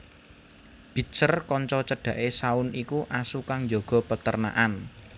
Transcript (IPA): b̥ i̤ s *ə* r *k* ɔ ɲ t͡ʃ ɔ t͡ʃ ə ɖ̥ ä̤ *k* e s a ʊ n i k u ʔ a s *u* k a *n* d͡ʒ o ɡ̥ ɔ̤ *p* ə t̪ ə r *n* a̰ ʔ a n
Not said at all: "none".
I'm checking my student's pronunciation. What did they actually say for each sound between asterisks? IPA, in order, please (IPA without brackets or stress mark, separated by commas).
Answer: ə, k, ʔ, u, ŋ, p, n